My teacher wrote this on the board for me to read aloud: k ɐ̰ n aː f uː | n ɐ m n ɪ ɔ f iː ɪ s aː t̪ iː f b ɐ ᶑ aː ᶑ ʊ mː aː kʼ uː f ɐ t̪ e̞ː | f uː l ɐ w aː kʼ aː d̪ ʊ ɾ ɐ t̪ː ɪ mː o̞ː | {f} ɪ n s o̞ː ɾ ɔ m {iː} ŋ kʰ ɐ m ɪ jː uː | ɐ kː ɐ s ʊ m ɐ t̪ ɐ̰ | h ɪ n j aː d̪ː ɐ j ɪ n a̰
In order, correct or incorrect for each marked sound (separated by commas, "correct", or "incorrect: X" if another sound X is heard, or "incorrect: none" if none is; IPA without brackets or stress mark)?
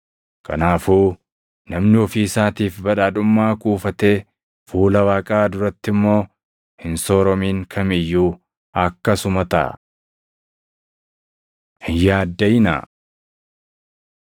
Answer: incorrect: h, correct